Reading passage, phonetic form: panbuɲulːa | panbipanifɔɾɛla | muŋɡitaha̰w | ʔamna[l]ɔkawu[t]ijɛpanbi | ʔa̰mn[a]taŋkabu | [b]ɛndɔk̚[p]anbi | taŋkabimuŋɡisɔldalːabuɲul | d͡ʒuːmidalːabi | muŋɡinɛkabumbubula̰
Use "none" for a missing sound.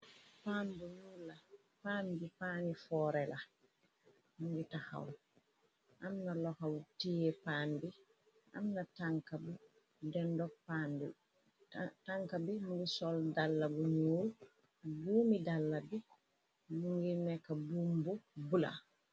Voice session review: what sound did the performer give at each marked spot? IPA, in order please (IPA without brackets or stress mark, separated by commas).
l, t, a, d, p